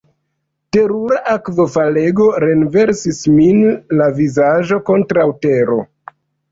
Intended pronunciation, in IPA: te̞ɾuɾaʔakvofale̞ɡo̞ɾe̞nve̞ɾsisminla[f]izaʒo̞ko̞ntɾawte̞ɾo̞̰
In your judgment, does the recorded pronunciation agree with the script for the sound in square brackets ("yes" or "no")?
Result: no